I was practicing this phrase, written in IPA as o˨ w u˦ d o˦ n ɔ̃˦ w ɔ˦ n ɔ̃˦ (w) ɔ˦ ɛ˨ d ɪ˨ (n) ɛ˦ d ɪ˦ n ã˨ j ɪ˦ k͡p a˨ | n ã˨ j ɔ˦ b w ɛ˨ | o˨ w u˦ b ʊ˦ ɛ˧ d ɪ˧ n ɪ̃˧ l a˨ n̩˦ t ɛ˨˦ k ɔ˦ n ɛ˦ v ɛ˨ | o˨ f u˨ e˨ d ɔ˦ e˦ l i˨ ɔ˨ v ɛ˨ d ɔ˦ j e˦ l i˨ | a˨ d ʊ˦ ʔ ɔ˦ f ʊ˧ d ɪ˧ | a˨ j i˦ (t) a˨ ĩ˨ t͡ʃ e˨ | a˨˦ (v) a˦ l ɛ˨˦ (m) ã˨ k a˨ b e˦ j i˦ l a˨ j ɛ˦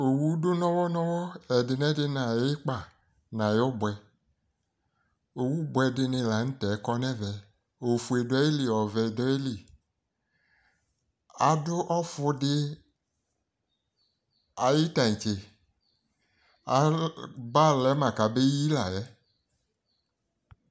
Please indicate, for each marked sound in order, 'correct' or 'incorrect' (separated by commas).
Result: correct, correct, correct, incorrect, correct